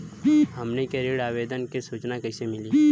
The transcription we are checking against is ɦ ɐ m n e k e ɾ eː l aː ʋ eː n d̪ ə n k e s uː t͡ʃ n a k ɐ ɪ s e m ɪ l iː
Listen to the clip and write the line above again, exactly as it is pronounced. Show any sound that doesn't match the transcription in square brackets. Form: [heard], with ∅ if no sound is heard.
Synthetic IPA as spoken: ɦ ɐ m n e k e ɾ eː [ɽ] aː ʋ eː [∅] d̪ ə n k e s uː t͡ʃ n a k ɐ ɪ s e m ɪ l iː